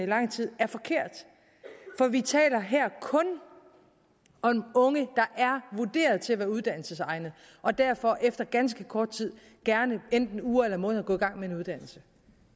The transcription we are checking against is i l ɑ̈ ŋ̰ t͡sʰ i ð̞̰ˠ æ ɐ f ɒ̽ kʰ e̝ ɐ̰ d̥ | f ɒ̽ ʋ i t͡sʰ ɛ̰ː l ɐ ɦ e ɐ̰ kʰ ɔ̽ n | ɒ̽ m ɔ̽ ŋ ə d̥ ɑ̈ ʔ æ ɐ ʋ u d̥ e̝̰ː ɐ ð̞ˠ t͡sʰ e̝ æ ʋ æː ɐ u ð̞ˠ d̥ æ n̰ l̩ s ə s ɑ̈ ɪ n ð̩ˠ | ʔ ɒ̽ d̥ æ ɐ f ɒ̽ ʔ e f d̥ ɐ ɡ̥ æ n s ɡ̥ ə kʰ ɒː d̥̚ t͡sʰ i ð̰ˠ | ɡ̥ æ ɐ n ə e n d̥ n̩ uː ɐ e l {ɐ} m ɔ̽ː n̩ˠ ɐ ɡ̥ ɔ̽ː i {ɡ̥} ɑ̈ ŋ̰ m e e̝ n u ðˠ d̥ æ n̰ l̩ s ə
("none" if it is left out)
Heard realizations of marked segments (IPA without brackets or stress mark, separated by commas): ɐ, ɡ̥